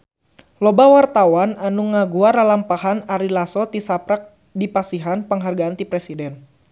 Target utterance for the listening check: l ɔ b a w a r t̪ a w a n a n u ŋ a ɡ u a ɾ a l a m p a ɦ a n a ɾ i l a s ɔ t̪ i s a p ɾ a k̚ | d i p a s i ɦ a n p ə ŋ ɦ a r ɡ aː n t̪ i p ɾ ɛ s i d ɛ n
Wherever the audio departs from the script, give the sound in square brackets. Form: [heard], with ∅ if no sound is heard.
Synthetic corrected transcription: l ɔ b a w a r t̪ a w a n a n u ŋ a ɡ u a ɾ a l a m p a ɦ a n a ɾ i l a s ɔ t̪ i s a p ɾ a k̚ | d i p a s i ɦ a n p ə ŋ ɦ a r ɡ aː n t̪ i p ɾ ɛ s i d ɛ n